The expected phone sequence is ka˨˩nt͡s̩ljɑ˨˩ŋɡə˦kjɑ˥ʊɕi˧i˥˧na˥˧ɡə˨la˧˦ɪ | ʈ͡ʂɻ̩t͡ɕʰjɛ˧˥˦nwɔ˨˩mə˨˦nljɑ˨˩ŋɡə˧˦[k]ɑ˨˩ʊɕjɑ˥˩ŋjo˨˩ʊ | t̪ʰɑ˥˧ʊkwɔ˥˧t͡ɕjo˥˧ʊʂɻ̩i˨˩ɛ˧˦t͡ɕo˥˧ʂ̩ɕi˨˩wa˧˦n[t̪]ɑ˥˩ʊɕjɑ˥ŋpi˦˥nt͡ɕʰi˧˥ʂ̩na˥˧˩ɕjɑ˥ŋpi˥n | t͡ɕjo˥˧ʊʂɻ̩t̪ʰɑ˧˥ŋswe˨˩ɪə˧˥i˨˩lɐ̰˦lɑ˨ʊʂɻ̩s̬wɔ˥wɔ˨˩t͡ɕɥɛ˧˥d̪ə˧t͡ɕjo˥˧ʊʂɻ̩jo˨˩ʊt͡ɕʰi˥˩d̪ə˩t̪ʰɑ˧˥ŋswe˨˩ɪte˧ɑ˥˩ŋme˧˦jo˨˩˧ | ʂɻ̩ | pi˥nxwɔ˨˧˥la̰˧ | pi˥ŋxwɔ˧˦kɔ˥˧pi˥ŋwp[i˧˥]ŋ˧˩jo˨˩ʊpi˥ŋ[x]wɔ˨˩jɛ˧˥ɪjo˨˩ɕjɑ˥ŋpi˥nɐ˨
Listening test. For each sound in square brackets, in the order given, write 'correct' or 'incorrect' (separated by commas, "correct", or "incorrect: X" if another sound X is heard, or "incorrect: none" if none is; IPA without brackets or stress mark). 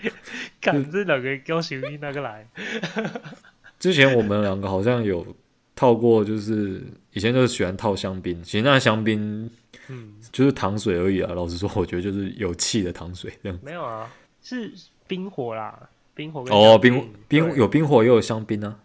incorrect: x, incorrect: t̪ʰ, incorrect: i˥, correct